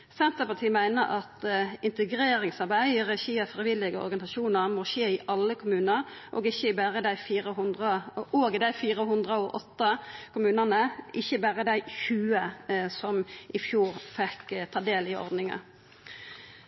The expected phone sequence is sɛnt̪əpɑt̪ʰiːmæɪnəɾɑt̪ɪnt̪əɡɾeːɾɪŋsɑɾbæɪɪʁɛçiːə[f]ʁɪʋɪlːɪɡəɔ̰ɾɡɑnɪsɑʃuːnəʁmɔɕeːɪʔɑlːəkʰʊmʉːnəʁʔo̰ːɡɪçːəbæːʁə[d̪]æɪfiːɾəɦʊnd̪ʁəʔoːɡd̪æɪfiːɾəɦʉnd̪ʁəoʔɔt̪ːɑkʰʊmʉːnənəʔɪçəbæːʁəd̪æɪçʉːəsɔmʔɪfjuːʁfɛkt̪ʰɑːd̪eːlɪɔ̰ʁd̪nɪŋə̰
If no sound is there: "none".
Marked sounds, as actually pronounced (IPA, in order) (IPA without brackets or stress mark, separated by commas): f, d̪